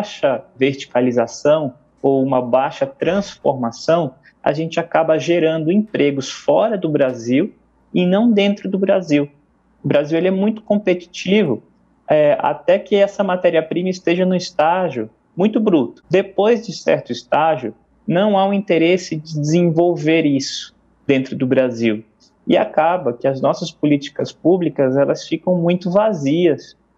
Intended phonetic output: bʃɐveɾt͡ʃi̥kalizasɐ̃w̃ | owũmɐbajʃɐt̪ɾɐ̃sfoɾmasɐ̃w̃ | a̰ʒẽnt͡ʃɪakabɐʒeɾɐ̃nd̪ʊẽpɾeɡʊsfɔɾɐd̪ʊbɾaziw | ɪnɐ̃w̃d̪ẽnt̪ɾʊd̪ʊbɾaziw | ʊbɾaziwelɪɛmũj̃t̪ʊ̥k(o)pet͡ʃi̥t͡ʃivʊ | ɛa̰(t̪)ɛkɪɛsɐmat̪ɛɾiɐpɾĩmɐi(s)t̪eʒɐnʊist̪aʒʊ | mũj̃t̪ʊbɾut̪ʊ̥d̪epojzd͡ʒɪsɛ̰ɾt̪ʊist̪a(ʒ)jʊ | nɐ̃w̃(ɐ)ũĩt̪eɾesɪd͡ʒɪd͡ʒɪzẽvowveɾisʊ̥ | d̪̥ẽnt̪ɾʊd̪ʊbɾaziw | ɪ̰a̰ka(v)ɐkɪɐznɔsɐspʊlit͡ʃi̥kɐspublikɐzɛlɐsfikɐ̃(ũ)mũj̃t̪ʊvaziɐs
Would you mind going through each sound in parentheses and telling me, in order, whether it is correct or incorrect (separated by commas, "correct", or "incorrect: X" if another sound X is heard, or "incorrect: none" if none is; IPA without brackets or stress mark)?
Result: incorrect: õ, correct, correct, correct, incorrect: a, incorrect: b, incorrect: w̃